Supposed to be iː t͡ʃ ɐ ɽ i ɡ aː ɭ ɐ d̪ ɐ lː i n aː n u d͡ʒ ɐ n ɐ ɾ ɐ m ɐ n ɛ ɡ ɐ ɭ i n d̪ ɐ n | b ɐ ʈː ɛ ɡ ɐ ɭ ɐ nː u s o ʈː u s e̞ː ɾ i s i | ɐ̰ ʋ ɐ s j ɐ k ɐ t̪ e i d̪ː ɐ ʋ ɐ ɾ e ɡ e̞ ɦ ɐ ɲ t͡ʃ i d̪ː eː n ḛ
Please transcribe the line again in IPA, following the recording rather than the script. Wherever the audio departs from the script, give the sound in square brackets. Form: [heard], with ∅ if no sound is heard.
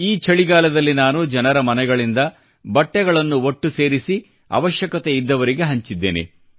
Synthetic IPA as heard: iː t͡ʃ ɐ [ɭ] i ɡ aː [l] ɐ d̪ ɐ lː i n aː n u d͡ʒ ɐ n ɐ ɾ ɐ m ɐ n ɛ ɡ ɐ ɭ i n d̪ ɐ [∅] | b ɐ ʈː ɛ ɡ ɐ ɭ ɐ nː u [∅] o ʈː u s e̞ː ɾ i s i | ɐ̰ ʋ ɐ [ʃ] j ɐ k ɐ t̪ e i d̪ː ɐ ʋ ɐ ɾ [i] ɡ e̞ ɦ ɐ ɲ t͡ʃ i d̪ː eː n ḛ

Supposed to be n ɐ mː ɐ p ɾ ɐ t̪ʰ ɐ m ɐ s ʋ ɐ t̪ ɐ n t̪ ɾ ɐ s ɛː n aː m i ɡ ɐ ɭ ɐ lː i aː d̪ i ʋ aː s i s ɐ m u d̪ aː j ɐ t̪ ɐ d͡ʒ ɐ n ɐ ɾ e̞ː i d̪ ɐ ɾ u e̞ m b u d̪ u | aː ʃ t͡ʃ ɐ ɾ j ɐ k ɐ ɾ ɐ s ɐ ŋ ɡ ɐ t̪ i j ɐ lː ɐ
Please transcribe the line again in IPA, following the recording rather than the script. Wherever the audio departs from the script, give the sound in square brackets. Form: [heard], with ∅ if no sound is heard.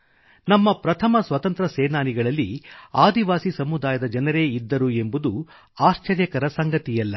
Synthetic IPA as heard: n ɐ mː ɐ p ɾ ɐ t̪ʰ ɐ m ɐ s ʋ ɐ t̪ ɐ n t̪ ɾ ɐ s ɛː n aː [n] i ɡ ɐ ɭ ɐ lː i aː d̪ i ʋ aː s i s ɐ m u d̪ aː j ɐ [d̪] ɐ d͡ʒ ɐ n ɐ ɾ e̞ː i [d̪ː] ɐ ɾ u e̞ m b u d̪ u | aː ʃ t͡ʃ ɐ ɾ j ɐ k ɐ ɾ ɐ s ɐ ŋ ɡ ɐ t̪ i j ɐ lː ɐ

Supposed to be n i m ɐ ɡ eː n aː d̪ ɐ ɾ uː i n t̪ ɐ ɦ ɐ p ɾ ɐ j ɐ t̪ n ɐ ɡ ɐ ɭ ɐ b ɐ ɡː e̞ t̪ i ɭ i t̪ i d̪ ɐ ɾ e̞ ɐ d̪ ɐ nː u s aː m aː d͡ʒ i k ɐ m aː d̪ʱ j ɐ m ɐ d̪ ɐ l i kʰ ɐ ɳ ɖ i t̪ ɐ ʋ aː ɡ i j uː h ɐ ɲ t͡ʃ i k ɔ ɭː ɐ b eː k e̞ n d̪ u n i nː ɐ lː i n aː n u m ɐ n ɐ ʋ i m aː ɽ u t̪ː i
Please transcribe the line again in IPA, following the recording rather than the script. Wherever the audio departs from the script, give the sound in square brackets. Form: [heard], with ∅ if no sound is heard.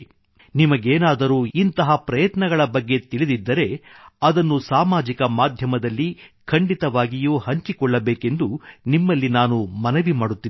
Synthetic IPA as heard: n i m ɐ ɡ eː n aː d̪ ɐ ɾ uː i n t̪ ɐ ɦ ɐ p ɾ ɐ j ɐ t̪ n ɐ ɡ ɐ ɭ ɐ b ɐ ɡː e̞ t̪ i ɭ i [d̪] i [d̪ː] ɐ ɾ e̞ ɐ d̪ ɐ nː u s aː m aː d͡ʒ i k ɐ m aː d̪ʱ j ɐ m ɐ d̪ ɐ [lː] i kʰ ɐ ɳ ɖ i t̪ ɐ ʋ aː ɡ i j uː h ɐ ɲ t͡ʃ i k ɔ ɭː ɐ b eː k e̞ n d̪ u n i [mː] ɐ lː i n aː n u m ɐ n ɐ ʋ i m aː ɽ u t̪ː i

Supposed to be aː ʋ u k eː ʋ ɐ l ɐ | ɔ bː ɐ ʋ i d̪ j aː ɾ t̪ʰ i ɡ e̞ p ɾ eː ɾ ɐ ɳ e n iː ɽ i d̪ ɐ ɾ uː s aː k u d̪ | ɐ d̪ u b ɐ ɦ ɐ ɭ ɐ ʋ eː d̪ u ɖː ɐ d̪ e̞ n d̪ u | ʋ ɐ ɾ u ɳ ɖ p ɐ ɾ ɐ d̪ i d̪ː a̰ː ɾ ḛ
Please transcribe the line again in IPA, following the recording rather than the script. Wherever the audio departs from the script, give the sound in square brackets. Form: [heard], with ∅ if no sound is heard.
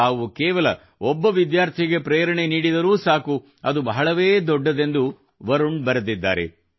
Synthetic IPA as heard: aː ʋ u k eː ʋ ɐ l ɐ | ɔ bː ɐ ʋ i d̪ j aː ɾ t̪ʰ i ɡ e̞ p ɾ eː ɾ ɐ ɳ e n iː ɽ i d̪ ɐ ɾ uː s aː k u [∅] | ɐ d̪ u b ɐ ɦ ɐ ɭ ɐ ʋ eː d̪ [ɔ] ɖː ɐ d̪ e̞ n d̪ u | ʋ ɐ ɾ u ɳ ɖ [b] ɐ ɾ ɐ d̪ i d̪ː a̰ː ɾ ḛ

